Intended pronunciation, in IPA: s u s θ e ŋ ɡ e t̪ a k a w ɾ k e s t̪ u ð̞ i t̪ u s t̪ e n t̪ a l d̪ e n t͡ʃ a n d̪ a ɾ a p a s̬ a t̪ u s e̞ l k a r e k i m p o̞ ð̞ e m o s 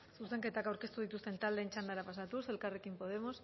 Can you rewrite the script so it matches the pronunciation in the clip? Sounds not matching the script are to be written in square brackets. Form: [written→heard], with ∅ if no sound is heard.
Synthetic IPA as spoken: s u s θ e ŋ [ɡ→k] e t̪ a k a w ɾ k e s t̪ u ð̞ i t̪ u s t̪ e n t̪ a l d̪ e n t͡ʃ a n d̪ a ɾ a p a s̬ a t̪ u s e̞ l k a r e k i m p o̞ ð̞ e m o s